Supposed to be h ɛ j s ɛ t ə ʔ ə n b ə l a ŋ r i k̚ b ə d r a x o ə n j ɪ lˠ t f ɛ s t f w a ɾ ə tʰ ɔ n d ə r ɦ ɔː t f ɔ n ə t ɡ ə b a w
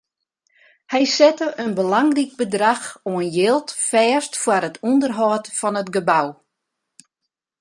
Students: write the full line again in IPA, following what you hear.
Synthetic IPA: h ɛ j s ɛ t ə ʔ ə n b ə l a ŋ r i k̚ b ə d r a x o ə n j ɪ lˠ t f ɛː s t f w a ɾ ə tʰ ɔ n d ə r ɦ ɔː t f ɔ n ə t ɡ ə b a w